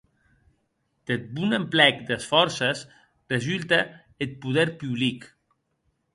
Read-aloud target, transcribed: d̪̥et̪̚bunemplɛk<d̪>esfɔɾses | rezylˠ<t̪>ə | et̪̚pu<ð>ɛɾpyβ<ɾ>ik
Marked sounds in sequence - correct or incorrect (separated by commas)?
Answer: correct, correct, correct, incorrect